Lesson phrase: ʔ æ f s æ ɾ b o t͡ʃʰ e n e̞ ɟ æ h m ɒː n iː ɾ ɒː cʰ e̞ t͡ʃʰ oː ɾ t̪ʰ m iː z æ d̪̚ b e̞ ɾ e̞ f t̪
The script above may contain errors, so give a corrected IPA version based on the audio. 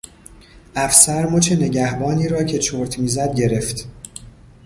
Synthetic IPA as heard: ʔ æ f s æ ɾ m o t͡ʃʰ e n e̞ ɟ æ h b ɒː n iː ɾ ɒː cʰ e̞ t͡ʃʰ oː ɾ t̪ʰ m iː z æ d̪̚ ɟ e̞ ɾ e̞ f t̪